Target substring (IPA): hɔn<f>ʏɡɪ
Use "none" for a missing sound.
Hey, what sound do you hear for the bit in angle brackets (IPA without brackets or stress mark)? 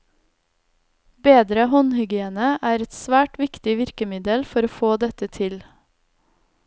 h